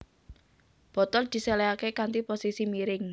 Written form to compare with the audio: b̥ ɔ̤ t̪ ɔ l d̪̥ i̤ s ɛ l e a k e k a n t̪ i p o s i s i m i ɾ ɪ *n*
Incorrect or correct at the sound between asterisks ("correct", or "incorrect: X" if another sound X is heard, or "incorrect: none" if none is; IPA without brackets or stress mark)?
incorrect: ŋ